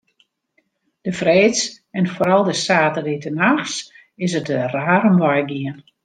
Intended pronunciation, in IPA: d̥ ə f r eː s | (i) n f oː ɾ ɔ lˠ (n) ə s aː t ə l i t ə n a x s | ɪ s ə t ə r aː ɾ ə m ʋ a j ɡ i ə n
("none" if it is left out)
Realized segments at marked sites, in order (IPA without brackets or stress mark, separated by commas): ɛ, d